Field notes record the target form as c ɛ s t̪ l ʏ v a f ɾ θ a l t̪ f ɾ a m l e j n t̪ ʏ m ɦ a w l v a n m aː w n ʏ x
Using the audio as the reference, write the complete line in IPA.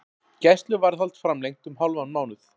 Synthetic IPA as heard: c ɛ s t̪ l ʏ v a ɾ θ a l t̪ f ɾ a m l e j ŋ t̪ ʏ m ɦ a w l v a n m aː w n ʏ θ